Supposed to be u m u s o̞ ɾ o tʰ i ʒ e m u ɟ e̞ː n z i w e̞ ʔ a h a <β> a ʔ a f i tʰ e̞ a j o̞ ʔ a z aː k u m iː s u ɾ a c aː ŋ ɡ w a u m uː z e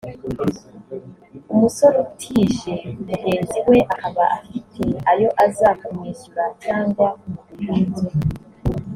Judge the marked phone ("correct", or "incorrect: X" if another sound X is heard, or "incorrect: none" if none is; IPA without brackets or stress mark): correct